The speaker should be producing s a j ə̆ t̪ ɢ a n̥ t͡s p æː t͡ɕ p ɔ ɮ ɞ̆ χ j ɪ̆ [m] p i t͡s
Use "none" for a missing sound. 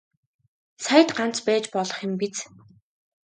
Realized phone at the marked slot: m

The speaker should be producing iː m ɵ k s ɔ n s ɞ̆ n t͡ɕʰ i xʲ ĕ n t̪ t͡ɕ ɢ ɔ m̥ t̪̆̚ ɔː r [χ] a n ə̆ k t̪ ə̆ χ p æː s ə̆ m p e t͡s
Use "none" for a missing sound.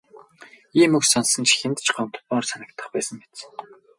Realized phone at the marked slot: s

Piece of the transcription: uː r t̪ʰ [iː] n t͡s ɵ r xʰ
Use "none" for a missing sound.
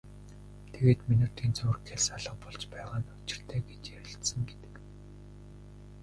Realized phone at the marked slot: iː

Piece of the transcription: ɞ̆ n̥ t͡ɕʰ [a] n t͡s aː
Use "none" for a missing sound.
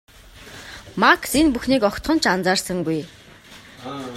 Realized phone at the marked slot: a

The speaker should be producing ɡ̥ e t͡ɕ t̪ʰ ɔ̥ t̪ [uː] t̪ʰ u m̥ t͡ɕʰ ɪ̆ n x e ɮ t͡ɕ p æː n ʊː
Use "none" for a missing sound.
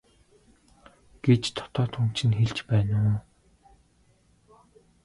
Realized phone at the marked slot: ɔː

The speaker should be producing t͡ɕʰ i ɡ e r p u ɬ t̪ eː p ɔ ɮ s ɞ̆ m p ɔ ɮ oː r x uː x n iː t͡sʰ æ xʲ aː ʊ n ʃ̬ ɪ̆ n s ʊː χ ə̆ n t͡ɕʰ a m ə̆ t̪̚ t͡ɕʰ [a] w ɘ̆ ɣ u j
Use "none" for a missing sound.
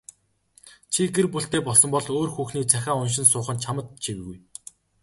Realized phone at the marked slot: i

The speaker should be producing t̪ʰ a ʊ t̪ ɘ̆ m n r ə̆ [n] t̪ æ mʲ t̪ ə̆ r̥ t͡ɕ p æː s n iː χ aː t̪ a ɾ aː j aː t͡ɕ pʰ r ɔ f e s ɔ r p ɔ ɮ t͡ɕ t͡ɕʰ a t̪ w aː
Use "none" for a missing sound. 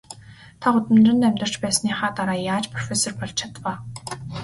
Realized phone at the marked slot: n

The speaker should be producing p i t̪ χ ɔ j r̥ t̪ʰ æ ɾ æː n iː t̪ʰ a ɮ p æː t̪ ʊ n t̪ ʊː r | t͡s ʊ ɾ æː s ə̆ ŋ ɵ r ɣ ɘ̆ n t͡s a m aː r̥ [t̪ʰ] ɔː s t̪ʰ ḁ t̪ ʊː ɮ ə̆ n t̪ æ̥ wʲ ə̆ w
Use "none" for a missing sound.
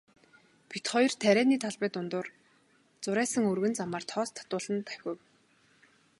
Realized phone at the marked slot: t̪ʰ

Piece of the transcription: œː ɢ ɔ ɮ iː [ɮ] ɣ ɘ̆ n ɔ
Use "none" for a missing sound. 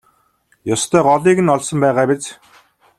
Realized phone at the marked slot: none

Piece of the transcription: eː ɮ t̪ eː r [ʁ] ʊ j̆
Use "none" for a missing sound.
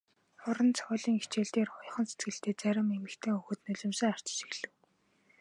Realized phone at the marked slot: χ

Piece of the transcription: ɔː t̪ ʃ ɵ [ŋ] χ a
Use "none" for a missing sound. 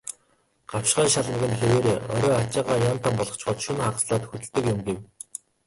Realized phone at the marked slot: n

